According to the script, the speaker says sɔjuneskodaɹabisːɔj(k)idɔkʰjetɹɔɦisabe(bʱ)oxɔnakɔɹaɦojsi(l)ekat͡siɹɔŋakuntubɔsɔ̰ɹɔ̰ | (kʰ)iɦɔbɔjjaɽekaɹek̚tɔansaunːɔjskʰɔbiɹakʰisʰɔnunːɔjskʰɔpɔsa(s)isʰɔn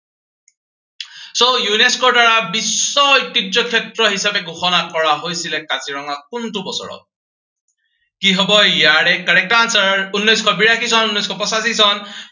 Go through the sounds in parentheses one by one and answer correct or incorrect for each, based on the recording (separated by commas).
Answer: incorrect, incorrect, correct, incorrect, correct